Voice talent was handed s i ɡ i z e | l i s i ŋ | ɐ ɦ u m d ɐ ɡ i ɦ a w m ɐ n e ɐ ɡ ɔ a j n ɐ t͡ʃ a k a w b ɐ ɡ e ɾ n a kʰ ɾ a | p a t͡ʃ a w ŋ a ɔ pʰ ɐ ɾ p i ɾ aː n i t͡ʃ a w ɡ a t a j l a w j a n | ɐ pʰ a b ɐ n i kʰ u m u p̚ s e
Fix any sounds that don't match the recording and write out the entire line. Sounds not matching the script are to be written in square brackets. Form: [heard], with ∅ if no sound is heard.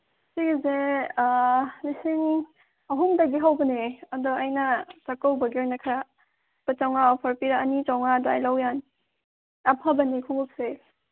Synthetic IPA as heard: s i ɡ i z e | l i s i ŋ | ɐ ɦ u m d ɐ ɡ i ɦ a w [b] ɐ n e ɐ [d] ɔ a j n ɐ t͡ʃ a k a w b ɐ ɡ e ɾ n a kʰ ɾ a | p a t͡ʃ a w ŋ a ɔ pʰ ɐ ɾ p i ɾ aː n i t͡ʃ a w [ŋ] a [d] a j l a w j a n | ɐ pʰ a b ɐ n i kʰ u [ŋ] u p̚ s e

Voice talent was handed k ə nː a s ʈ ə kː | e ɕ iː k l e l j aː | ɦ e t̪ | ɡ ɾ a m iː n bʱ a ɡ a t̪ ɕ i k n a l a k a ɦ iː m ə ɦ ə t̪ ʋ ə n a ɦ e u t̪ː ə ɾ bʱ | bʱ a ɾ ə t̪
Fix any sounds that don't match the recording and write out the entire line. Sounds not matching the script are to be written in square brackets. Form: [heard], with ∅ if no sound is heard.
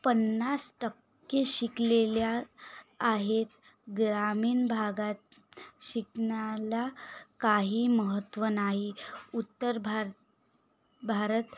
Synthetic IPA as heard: [p] ə nː a s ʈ ə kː | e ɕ [i] k l e l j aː | ɦ e t̪ | ɡ ɾ a m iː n bʱ a ɡ a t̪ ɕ i k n a l a k a ɦ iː m ə ɦ ə t̪ ʋ ə n a ɦ [i] u t̪ː ə ɾ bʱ | bʱ a ɾ ə t̪

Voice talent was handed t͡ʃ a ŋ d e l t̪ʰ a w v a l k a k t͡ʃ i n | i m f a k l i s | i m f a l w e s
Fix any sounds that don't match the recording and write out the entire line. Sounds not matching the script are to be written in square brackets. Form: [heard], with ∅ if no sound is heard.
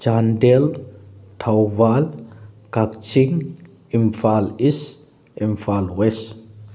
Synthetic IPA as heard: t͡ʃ a [n] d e l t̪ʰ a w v a l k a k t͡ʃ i [ŋ] | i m f a [∅] l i s | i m f a l w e s

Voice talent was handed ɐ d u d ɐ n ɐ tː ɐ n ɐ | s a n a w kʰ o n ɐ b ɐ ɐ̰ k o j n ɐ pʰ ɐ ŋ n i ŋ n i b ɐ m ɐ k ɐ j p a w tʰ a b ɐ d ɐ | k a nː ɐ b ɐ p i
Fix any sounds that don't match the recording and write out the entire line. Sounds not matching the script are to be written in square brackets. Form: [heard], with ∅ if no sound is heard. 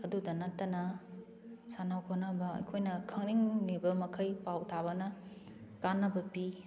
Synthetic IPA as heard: ɐ d u d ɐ n ɐ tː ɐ n ɐ | s a n a w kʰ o n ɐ b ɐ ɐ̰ [kʰ] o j n ɐ [kʰ] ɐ ŋ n i ŋ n i b ɐ m ɐ [kʰ] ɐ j p a w tʰ a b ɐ [n] ɐ | k a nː ɐ b ɐ p i

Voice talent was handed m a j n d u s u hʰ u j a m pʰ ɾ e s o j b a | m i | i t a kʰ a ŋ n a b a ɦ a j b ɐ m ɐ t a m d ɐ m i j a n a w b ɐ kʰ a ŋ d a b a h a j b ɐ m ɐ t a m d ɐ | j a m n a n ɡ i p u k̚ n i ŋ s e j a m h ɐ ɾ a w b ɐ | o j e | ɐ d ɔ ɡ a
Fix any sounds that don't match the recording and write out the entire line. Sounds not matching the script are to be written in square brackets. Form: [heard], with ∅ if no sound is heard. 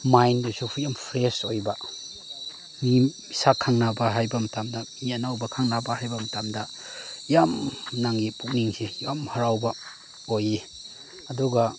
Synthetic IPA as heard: m a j n d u s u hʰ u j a m pʰ ɾ e s o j b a | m i | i [s] a kʰ a ŋ n a b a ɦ a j b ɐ m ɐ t a m d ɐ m i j a n a w b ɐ kʰ a ŋ [n] a b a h a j b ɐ m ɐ t a m d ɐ | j a m n a [ŋ] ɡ i p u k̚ n i ŋ s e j a m h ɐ ɾ a w b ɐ | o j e | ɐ d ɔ ɡ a

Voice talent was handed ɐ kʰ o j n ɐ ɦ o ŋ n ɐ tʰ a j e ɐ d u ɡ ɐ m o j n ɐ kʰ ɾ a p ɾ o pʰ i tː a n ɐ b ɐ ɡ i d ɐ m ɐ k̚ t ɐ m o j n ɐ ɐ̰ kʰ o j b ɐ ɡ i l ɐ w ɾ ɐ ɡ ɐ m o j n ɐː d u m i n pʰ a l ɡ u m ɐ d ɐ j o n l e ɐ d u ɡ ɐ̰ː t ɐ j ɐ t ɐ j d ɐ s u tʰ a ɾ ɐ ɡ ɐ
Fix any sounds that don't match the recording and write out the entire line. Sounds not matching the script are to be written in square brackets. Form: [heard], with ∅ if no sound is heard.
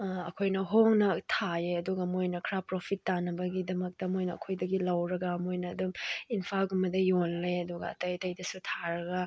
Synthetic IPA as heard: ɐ kʰ o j n ɐ ɦ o ŋ n ɐ tʰ a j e ɐ d u ɡ ɐ m o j n ɐ kʰ ɾ a p ɾ o pʰ i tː a n ɐ b ɐ ɡ i d ɐ m ɐ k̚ t ɐ m o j n ɐ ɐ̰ kʰ o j [d] ɐ ɡ i l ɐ w ɾ ɐ ɡ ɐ m o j n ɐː d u m i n pʰ a l ɡ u m ɐ d ɐ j o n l e ɐ d u ɡ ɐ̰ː t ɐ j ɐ t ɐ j d ɐ s u tʰ a ɾ ɐ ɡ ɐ

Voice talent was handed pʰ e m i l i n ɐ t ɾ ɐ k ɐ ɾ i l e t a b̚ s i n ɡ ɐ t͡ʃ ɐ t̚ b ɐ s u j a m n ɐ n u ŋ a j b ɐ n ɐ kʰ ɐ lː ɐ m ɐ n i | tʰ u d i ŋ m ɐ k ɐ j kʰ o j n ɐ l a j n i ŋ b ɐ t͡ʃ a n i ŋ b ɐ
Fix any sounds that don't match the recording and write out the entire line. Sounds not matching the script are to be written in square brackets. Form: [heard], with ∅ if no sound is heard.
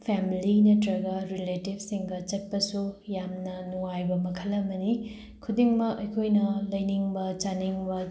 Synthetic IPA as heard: pʰ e m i l i n ɐ t ɾ ɐ [ɡ] ɐ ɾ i l e t [i] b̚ s i [ŋ] ɡ ɐ t͡ʃ ɐ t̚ [p] ɐ s u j a m n ɐ n u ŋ a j b ɐ [m] ɐ kʰ ɐ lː ɐ m ɐ n i | [kʰ] u d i ŋ m ɐ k ɐ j kʰ o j n ɐ l [ɐ] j n i ŋ b ɐ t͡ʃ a n i ŋ b ɐ

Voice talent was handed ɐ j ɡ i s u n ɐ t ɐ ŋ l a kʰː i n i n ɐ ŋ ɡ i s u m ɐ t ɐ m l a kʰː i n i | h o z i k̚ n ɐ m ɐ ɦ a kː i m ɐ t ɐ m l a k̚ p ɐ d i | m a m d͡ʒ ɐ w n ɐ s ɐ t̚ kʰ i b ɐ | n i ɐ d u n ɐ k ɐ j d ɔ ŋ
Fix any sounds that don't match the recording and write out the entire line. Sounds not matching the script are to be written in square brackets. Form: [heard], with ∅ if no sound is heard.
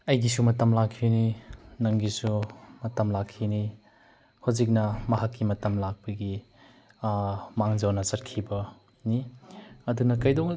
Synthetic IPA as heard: ɐ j ɡ i s u [m] ɐ t ɐ [m] l a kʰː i n i n ɐ ŋ ɡ i s u m ɐ t ɐ m l a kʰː i n i | h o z i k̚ n ɐ m ɐ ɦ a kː i m ɐ t ɐ m l a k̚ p ɐ [ɡ] i | m a [ŋ] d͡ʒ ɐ w n ɐ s ɐ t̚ kʰ i b ɐ | n i ɐ d u n ɐ k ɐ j d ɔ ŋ

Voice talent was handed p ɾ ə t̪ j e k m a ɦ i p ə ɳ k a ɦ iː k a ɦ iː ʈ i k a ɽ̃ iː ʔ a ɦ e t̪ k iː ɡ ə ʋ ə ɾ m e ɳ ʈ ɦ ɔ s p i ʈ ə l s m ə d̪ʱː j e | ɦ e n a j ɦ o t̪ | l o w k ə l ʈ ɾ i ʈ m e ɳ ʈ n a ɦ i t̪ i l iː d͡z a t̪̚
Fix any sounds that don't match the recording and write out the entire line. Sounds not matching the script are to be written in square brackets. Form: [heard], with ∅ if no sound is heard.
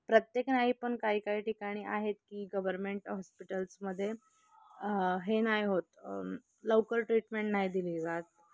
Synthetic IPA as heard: p ɾ ə t̪ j e k [n] a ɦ i p ə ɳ k a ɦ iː k a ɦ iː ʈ i k a ɽ̃ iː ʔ a ɦ e t̪ k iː ɡ ə ʋ ə ɾ m e ɳ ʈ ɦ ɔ s p i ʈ ə l s m ə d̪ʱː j e | ɦ e n a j ɦ o t̪ | l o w k ə l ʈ ɾ i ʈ m e ɳ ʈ n a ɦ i [d̪] i l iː d͡z a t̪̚

